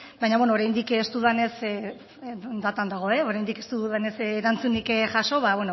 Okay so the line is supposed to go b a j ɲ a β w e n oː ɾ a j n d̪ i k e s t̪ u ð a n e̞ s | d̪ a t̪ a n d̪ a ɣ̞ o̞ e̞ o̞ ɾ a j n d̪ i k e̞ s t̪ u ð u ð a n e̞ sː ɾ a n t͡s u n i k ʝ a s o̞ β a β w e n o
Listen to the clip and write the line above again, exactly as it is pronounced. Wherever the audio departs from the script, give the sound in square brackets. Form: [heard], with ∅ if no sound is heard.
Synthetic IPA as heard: b a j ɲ a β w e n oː ɾ a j n d̪ i k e s t̪ u ð a n e̞ s | d̪ a t̪ a n d̪ a ɣ̞ o̞ e̞ o̞ ɾ a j n d̪ i k e̞ s t̪ u ð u ð a n e̞ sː ɾ a n t͡s u n i k ʝ a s o̞ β a β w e n o